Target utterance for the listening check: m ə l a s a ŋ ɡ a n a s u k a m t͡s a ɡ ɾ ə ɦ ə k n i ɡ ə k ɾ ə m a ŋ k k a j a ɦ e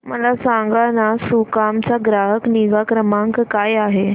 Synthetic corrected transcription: m ə l a s a ŋ ɡ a n a s u k a m t͡s a ɡ ɾ a ɦ ə k n i ɡ a k ɾ ə m a ŋ k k a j a ɦ e